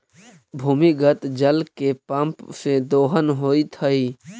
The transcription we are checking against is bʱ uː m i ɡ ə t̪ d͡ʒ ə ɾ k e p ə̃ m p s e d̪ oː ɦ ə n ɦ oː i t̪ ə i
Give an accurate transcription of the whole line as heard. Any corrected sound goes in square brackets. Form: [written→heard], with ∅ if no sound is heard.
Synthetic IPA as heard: bʱ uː m i ɡ ə t̪ d͡ʒ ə [ɾ→l] k e p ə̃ m p s e d̪ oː ɦ ə n ɦ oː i [t̪→t̪ʰ] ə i